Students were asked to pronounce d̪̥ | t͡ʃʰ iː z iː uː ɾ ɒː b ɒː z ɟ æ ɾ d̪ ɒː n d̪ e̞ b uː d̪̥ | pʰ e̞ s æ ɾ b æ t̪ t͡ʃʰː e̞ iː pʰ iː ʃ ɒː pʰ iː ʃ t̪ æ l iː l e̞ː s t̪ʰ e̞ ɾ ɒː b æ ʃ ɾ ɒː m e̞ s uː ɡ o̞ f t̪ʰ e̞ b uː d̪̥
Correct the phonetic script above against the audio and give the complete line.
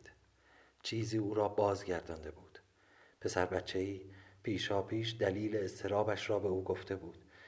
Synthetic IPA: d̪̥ | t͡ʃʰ iː z iː uː ɾ ɒː b ɒː z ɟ æ ɾ d̪ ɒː n d̪ e̞ b uː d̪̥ | pʰ e̞ s æ ɾ b æ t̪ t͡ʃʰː e̞ iː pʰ iː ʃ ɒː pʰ iː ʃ d̪ æ l iː l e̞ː s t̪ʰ e̞ ɾ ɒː b æ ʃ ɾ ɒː b e̞ uː ɡ o̞ f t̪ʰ e̞ b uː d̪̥